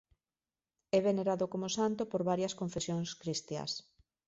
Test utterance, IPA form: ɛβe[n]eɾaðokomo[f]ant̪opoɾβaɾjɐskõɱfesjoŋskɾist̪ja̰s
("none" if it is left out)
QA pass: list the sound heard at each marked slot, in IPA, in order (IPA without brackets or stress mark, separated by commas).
n, s